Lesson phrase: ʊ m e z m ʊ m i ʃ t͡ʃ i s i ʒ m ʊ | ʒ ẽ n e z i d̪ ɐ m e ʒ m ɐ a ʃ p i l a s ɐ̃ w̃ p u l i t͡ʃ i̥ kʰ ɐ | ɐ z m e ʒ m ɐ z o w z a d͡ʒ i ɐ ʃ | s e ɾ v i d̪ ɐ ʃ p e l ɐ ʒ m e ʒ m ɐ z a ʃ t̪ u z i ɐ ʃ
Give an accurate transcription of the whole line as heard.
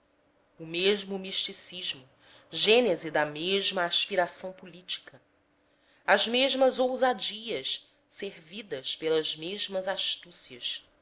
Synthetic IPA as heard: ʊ m e ʒ m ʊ m i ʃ t͡ʃ i s i ʒ m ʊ | ʒ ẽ n e z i d̪ ɐ m e ʒ m ɐ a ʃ p i ɾ a s ɐ̃ w̃ p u l i t͡ʃ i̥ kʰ ɐ | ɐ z m e ʒ m ɐ z o w z a d͡ʒ i ɐ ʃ | s e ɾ v i d̪ ɐ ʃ p e l ɐ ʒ m e ʒ m ɐ z a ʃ t̪ u s i ɐ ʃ